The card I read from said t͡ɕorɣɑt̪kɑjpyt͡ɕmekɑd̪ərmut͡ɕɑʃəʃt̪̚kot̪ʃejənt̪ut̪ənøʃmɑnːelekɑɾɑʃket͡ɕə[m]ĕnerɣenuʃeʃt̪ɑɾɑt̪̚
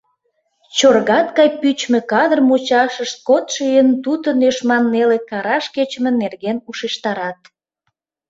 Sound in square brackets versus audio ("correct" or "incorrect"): correct